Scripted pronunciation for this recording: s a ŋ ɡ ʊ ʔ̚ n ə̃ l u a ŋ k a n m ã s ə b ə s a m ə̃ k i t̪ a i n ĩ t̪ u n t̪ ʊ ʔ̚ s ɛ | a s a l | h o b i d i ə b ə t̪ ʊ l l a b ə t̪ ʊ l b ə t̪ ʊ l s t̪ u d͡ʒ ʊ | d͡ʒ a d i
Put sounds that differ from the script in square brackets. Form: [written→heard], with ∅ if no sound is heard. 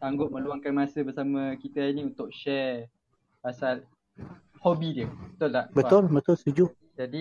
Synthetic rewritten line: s a ŋ ɡ ʊ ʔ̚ [n→m] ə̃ l u a ŋ k a n m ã s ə b ə s a m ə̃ k i t̪ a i n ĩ [t̪→∅] u n t̪ ʊ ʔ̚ [s→ʃ] ɛ | a s a l | h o b i d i ə b ə t̪ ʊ l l a b ə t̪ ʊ l b ə t̪ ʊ l s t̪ u d͡ʒ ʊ | d͡ʒ a d i